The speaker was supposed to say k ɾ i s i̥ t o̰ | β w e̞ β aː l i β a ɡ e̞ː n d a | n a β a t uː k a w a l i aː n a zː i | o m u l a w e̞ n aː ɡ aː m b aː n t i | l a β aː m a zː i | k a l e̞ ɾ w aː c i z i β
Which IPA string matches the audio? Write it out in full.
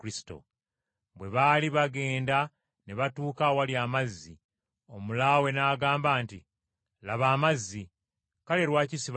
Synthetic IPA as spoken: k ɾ i s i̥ t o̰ | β w e̞ β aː l i β a ɡ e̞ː n d a | n e β a t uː k a w a l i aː m a zː i | o m u l a w e̞ n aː ɡ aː m b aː n t i | l a β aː m a zː i | k a l e̞ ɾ w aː c i s i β